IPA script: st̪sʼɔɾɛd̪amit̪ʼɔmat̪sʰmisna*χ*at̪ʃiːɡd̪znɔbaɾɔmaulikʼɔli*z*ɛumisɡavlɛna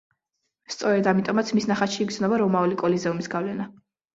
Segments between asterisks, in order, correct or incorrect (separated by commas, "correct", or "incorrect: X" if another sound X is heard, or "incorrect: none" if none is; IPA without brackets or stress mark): correct, correct